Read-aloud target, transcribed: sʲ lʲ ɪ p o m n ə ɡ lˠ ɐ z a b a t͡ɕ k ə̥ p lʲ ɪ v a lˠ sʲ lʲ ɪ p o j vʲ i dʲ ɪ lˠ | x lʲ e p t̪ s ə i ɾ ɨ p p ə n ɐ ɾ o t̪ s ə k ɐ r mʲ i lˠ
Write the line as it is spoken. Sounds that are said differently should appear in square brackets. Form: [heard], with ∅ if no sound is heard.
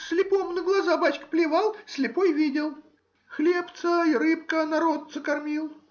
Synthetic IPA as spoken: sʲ lʲ ɪ p o m n ə ɡ lˠ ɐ z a b a t͡ɕ k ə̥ p lʲ ɪ v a lˠ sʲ lʲ ɪ p o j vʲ i dʲ ɪ lˠ | x lʲ e p t̪ s ə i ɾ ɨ p [k] ə n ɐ ɾ o t̪ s ə k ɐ r mʲ i lˠ